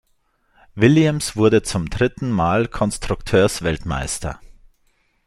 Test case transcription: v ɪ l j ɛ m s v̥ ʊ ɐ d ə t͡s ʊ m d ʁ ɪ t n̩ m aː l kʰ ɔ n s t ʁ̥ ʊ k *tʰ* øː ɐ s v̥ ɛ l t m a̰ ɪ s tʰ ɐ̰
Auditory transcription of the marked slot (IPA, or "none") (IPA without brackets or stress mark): tʰ